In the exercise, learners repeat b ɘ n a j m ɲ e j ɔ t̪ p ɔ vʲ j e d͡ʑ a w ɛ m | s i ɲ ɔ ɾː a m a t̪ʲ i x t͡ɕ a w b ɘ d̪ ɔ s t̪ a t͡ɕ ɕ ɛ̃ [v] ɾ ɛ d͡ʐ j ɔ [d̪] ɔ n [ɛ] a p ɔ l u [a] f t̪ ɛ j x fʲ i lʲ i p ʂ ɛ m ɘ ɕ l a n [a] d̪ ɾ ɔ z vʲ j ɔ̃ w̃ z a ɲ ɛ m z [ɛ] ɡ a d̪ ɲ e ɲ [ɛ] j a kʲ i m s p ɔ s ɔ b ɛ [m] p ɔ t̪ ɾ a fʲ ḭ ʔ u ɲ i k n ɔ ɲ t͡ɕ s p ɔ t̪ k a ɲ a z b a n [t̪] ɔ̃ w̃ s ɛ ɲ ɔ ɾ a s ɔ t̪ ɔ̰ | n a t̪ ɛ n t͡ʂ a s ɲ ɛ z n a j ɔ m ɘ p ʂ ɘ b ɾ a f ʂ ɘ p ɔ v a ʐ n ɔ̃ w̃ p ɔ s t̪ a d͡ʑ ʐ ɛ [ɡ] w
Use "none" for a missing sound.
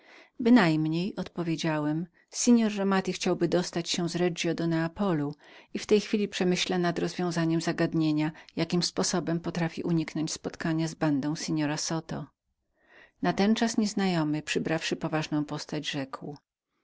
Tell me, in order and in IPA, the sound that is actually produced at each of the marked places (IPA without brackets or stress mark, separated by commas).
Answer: z, d̪, ɛ, i, a, a, a, m, d̪, k